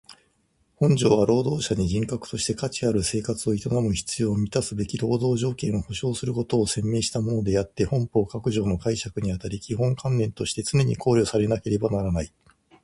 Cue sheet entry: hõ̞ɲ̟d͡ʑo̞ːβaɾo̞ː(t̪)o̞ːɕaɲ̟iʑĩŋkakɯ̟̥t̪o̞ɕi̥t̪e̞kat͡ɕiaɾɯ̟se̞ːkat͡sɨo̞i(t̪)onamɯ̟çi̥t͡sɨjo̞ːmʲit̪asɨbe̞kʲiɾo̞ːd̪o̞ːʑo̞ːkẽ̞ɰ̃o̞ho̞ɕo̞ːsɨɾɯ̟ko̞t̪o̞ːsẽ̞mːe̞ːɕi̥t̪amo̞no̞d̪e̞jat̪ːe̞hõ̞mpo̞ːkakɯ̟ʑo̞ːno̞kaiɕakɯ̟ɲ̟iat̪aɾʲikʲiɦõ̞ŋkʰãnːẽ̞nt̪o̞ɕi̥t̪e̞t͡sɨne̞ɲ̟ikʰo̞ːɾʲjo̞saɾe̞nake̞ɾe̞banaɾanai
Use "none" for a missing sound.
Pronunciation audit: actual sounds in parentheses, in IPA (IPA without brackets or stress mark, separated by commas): d̪, t̪